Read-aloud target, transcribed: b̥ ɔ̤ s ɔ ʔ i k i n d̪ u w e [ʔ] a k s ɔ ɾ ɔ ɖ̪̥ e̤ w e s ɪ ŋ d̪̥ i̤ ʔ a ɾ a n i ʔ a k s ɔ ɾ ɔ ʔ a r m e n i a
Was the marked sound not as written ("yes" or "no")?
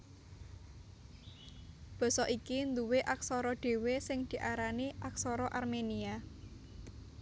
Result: no